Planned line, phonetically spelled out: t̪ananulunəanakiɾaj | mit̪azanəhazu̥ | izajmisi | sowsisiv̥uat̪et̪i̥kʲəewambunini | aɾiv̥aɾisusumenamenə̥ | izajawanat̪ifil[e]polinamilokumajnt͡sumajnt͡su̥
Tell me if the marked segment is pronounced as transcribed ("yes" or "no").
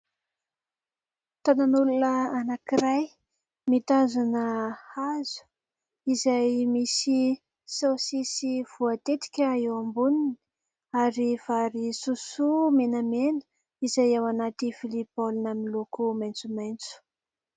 no